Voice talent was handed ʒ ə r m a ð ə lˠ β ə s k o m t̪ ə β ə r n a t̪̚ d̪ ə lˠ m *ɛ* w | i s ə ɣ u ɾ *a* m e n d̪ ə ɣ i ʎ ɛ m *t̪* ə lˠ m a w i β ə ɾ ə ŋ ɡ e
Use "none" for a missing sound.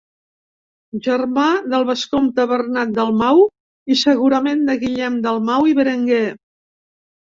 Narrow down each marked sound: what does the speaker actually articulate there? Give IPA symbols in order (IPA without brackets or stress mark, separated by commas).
a, ə, d̪